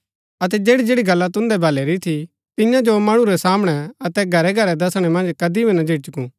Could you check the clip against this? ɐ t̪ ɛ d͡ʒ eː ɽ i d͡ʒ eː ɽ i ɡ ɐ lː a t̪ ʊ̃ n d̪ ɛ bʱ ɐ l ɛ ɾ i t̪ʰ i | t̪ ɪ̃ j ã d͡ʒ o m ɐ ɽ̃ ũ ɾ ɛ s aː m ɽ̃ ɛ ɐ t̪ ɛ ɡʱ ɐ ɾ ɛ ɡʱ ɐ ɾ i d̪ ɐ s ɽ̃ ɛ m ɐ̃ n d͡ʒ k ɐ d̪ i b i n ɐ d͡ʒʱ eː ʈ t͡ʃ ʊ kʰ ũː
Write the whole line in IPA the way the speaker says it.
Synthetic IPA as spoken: ɐ t̪ ɛ d͡ʒ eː ɽ i d͡ʒ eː ɽ i ɡ ɐ lː a t̪ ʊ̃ n d̪ ɛ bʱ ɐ l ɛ ɾ i t̪ʰ i | t̪ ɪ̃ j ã d͡ʒ o m ɐ ɽ̃ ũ ɾ ɛ s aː m ɽ̃ ɛ ɐ t̪ ɛ ɡʱ ɐ ɾ ɛ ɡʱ ɐ ɾ ɛ d̪ ɐ s ɽ̃ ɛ m ɐ̃ n d͡ʒ k ɐ d̪ i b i n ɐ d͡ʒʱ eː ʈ t͡ʃ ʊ k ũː